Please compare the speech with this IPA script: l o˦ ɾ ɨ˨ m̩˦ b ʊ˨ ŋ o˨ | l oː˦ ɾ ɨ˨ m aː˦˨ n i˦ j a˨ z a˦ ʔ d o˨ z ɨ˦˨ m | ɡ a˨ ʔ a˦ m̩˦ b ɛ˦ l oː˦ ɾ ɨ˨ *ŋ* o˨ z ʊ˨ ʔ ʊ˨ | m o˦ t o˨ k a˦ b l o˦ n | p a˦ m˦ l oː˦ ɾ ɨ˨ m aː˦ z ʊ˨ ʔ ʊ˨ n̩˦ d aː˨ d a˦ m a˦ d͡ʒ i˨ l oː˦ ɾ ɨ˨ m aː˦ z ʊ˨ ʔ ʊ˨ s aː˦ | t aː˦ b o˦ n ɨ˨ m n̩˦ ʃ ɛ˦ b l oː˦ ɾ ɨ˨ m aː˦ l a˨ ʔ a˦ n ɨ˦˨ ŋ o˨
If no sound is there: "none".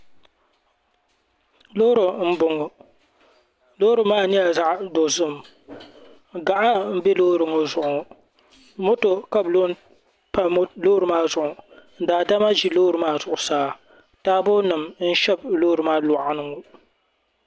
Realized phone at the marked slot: ŋ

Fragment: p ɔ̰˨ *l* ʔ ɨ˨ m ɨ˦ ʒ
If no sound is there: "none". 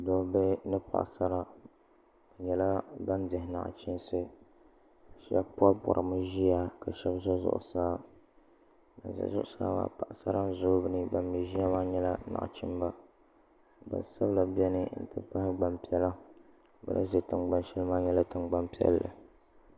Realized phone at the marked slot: ɾ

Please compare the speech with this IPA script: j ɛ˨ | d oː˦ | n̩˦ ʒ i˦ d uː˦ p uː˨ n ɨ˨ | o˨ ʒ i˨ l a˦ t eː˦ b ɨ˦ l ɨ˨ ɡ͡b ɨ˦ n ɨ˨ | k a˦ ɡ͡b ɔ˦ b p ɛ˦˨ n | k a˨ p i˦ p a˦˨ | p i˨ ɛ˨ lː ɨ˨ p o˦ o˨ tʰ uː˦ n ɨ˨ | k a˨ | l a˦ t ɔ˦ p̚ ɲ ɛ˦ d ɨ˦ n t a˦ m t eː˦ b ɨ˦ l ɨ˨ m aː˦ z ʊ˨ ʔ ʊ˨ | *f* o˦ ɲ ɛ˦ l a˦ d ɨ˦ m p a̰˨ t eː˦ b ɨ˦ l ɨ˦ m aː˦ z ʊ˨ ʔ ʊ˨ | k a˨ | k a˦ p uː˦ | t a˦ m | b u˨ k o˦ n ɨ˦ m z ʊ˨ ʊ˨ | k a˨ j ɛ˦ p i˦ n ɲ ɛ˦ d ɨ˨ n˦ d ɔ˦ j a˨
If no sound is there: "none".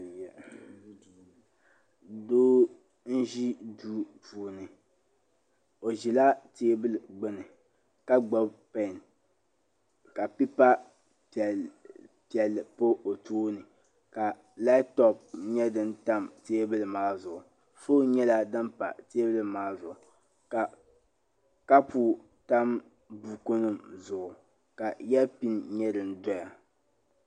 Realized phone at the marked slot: f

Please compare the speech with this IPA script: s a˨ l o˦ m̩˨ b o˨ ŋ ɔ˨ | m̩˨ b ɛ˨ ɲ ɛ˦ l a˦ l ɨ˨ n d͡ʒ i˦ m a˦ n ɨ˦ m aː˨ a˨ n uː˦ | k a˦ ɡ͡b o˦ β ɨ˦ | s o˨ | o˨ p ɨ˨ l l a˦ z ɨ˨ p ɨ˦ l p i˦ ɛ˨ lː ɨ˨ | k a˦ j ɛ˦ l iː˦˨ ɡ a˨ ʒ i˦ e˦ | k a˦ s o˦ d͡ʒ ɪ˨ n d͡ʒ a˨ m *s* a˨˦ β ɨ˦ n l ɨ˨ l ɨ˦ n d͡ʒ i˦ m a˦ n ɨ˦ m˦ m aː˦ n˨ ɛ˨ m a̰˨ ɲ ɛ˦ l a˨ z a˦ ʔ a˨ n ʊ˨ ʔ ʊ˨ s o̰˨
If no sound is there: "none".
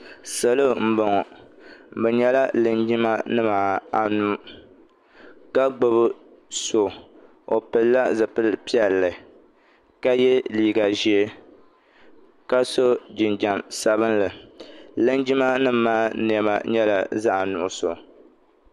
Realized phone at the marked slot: s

